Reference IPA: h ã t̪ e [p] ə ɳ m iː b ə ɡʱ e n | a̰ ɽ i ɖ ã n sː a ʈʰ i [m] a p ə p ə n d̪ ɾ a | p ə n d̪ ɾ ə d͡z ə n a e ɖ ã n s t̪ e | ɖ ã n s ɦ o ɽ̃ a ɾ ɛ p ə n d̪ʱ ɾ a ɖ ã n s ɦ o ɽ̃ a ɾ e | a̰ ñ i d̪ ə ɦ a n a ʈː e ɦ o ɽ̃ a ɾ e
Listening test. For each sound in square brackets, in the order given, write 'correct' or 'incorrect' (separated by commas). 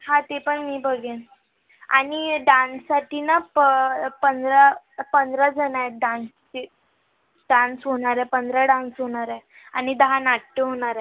correct, incorrect